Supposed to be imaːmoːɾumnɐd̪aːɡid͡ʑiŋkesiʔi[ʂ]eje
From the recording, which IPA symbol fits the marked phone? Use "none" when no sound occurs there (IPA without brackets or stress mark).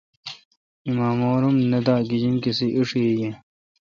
ʂ